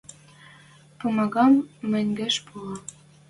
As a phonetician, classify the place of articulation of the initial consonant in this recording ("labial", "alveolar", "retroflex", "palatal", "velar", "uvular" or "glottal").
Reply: labial